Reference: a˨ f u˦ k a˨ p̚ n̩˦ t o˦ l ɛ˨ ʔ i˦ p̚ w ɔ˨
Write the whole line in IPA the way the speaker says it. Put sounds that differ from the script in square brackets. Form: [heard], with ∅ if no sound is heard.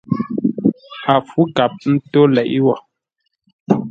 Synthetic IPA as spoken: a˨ f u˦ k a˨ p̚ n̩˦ t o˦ l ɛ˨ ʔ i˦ [∅] w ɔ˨